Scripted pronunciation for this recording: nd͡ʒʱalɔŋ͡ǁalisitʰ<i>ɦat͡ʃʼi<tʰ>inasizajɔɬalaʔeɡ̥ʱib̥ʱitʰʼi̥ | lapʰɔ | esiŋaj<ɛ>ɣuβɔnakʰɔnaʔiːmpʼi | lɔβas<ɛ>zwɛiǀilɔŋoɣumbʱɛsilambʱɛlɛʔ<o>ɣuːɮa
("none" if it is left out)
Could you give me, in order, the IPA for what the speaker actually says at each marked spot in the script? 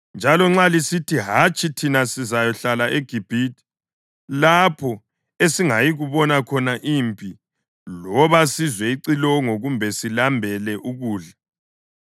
i, tʰ, i, i, u

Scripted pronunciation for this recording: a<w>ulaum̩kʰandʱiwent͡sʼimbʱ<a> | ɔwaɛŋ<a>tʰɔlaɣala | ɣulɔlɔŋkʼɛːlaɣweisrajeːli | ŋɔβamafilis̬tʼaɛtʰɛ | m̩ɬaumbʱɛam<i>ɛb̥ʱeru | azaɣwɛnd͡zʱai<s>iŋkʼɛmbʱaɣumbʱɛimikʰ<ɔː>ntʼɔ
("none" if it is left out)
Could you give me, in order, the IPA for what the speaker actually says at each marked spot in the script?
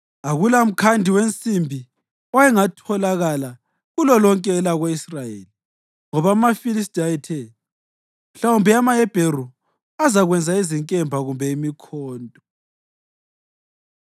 ɣ, i, a, a, z, ɔː

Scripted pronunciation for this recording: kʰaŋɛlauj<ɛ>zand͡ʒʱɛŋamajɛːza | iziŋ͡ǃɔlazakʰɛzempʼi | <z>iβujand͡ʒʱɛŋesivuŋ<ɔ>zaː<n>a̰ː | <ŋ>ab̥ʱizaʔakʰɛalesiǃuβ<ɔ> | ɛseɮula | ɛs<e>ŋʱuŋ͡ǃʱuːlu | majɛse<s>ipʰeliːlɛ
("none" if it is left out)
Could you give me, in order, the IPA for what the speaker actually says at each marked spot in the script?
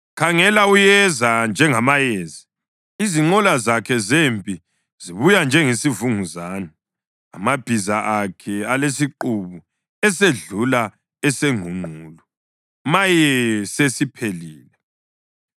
ɛ, z, u, n, m, u, e, s

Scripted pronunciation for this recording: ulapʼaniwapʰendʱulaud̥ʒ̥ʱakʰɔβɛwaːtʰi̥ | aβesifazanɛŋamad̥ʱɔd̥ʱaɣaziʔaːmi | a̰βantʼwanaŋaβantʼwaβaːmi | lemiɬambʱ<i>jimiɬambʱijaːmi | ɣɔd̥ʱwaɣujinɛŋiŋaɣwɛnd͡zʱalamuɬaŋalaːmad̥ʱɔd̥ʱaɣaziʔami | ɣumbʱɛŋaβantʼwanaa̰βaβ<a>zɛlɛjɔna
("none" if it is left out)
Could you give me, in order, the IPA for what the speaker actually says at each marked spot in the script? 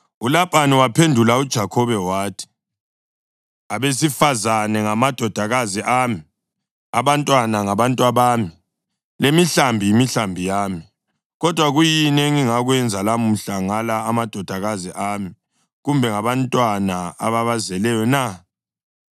i, a

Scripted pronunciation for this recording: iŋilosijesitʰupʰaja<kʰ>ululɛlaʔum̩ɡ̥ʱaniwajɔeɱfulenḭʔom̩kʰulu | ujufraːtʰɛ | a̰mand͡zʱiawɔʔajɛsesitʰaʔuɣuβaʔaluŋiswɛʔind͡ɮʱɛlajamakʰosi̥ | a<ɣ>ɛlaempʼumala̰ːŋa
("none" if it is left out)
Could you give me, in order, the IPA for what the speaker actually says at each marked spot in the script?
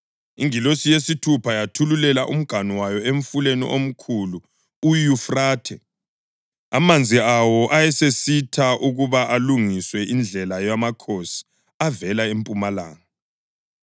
tʰ, v

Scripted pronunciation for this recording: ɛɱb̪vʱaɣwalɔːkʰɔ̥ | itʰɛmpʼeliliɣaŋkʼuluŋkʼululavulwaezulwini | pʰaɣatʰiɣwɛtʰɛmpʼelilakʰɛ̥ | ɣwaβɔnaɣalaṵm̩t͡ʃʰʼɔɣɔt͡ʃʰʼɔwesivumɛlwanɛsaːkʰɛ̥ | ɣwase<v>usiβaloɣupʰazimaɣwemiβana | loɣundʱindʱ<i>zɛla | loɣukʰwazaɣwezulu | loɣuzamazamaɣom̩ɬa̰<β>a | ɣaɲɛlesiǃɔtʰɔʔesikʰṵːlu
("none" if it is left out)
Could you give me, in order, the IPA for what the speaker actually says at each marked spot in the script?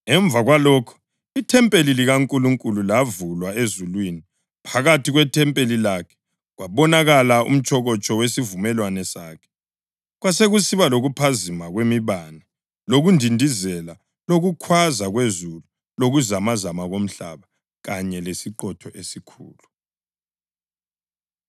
ɣ, i, β

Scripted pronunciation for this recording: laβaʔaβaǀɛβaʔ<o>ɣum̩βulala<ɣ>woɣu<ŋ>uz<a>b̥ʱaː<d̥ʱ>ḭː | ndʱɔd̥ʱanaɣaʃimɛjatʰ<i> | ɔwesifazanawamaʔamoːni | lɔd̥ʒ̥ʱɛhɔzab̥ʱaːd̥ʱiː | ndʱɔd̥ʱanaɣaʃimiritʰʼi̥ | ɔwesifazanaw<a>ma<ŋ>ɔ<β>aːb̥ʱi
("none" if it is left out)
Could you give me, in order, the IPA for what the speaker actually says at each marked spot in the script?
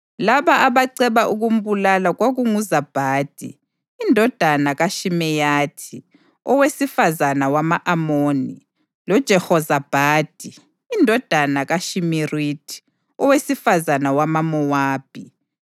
u, ɣ, ŋ, a, d̥ʱ, i, a, m, w

